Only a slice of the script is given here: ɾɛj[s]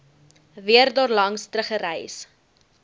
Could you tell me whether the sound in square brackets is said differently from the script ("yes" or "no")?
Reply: no